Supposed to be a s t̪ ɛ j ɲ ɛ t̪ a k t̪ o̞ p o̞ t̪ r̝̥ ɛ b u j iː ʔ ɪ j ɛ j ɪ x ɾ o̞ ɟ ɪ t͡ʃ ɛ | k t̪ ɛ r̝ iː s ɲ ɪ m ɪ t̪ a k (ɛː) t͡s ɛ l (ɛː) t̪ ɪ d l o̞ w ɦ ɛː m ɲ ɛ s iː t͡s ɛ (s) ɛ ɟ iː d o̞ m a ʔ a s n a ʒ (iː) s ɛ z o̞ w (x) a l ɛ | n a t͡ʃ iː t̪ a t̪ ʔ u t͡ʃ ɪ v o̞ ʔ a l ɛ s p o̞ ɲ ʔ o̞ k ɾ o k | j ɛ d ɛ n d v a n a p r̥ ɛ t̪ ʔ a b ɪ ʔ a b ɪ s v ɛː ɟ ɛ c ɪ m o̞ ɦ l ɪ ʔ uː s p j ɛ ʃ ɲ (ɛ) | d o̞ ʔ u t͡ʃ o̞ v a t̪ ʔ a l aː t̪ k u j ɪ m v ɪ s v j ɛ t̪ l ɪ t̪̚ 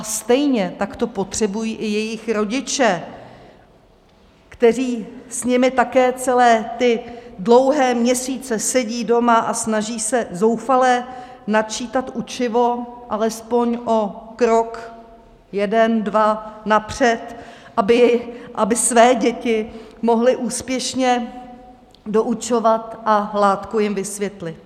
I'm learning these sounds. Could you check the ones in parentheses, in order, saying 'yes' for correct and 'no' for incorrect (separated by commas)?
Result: yes, yes, yes, yes, no, yes